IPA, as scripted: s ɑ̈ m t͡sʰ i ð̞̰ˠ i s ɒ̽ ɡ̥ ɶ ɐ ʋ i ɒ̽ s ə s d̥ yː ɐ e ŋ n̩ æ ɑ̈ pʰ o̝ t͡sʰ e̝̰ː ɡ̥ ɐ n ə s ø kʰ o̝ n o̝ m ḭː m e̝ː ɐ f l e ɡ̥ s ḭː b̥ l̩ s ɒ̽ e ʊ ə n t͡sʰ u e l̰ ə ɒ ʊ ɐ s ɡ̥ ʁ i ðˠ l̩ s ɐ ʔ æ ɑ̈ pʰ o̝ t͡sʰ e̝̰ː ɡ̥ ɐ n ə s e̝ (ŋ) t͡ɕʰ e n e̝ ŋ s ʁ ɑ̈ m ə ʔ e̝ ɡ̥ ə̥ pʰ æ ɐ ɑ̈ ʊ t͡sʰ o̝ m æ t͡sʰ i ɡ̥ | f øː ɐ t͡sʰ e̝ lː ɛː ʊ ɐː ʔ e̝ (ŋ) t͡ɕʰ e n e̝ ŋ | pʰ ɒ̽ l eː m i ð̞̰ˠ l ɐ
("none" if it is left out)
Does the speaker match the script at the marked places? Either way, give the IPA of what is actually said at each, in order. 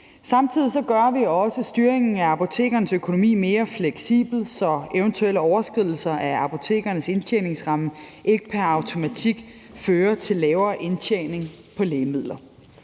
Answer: n, n

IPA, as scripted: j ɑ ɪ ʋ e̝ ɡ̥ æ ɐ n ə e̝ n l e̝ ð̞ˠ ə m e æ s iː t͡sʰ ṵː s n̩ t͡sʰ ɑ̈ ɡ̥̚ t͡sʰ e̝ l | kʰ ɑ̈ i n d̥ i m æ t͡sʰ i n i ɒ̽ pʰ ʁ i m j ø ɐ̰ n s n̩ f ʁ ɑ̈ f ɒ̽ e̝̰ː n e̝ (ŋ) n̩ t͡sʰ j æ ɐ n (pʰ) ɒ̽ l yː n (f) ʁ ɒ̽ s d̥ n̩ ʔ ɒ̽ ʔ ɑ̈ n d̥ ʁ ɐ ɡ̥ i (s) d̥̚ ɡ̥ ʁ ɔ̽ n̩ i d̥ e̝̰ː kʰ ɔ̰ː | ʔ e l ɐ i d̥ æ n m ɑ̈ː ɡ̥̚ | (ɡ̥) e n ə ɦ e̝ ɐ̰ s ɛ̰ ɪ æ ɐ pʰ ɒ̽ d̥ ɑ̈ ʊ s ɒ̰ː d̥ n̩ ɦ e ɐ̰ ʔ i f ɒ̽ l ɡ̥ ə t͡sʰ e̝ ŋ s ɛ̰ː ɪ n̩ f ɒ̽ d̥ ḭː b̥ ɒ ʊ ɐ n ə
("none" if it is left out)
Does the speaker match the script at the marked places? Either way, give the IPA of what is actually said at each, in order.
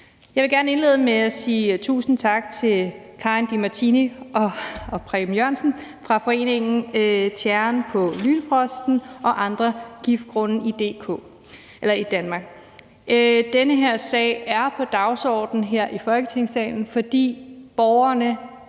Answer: ŋ, pʰ, f, f, d̥

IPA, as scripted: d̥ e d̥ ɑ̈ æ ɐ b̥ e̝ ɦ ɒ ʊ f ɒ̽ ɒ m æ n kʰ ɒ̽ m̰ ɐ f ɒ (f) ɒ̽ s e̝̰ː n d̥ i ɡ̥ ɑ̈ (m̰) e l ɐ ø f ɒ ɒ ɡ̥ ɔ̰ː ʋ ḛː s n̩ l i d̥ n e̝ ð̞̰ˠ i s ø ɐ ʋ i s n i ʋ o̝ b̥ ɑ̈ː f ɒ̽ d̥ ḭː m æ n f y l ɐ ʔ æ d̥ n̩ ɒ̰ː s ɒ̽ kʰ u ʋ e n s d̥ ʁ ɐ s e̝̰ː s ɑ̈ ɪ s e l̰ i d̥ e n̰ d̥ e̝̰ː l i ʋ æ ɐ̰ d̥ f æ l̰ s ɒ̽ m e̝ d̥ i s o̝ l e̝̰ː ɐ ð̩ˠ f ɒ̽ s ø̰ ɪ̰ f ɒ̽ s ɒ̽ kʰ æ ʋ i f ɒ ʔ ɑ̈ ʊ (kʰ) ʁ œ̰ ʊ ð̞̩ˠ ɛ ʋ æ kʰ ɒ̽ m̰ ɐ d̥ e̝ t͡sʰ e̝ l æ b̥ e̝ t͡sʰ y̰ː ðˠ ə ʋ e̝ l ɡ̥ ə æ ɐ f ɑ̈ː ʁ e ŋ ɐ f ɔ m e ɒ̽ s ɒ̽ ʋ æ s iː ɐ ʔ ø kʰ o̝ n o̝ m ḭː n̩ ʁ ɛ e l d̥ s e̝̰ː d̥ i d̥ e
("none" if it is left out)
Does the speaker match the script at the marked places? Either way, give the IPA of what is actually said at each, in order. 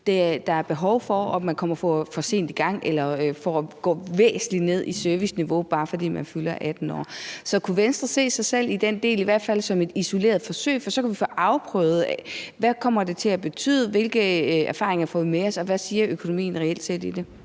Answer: f, ŋ̰, pʰ

